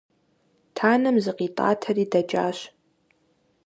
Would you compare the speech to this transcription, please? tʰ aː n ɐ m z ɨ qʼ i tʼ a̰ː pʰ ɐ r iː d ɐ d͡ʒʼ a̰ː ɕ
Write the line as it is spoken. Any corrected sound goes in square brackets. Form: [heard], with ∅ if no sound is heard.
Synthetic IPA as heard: tʰ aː n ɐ m z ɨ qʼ i tʼ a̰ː [tʰ] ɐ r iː d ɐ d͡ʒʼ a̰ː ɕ